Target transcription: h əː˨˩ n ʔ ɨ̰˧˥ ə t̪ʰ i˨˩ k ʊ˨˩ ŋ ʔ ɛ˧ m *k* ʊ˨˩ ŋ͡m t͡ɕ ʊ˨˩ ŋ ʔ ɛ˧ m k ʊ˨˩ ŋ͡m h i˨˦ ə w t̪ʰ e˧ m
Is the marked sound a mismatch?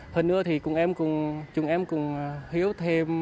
no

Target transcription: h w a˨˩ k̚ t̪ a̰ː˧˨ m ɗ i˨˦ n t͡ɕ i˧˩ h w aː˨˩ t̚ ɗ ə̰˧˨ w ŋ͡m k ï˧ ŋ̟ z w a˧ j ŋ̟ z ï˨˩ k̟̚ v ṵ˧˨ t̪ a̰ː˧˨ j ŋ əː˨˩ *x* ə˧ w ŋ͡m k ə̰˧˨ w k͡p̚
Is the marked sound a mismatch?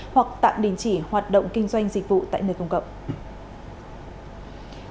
yes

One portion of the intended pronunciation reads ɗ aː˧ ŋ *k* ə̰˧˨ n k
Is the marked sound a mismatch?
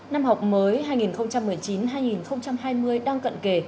no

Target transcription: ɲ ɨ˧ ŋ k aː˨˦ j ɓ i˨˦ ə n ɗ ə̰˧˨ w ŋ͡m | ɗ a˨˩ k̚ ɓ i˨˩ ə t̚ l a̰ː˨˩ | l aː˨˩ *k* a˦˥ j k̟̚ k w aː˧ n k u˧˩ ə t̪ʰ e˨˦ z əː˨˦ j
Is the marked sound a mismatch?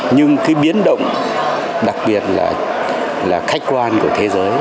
yes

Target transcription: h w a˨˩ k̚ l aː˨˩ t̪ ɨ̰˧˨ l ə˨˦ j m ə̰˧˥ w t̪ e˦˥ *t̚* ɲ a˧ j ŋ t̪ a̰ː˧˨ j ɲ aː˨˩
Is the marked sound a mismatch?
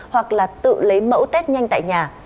no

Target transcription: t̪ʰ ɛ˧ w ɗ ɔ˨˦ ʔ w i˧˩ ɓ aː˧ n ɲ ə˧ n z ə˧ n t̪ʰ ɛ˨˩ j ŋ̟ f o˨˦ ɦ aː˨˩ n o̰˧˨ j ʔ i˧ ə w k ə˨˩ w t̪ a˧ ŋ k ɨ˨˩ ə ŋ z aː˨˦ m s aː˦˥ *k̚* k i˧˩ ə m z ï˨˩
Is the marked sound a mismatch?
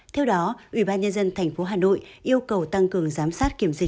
yes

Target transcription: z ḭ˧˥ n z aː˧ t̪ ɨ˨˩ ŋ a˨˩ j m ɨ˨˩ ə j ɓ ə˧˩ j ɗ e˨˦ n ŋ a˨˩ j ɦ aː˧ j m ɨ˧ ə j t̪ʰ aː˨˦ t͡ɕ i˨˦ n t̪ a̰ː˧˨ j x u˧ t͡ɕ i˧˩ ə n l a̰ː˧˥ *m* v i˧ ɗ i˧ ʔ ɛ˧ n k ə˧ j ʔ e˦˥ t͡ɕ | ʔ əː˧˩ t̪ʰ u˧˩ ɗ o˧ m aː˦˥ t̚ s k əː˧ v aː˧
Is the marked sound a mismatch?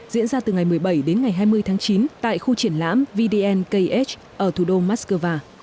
no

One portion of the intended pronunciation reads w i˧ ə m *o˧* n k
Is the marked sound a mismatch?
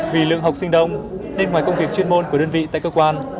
no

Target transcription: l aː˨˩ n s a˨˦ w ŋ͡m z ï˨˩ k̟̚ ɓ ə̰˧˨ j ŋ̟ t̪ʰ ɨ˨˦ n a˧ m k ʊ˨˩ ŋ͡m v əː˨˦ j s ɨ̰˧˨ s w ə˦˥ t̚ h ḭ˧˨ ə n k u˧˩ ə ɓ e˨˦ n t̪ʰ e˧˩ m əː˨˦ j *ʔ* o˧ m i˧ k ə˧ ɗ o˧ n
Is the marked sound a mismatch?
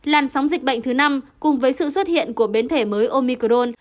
no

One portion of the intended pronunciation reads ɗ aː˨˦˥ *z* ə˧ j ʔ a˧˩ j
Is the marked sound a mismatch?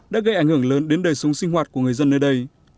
yes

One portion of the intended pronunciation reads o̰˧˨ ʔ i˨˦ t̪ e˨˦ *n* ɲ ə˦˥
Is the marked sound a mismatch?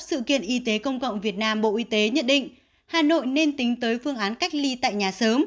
yes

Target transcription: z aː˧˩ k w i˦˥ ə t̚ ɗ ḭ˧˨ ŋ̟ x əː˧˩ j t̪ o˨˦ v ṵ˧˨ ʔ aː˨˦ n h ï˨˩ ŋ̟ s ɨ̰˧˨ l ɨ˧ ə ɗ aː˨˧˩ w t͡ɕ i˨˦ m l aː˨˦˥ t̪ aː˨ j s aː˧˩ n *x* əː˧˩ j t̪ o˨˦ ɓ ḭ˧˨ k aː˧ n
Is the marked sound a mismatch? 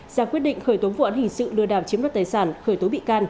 no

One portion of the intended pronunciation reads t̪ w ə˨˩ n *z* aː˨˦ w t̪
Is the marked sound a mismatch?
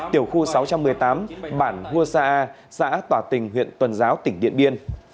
no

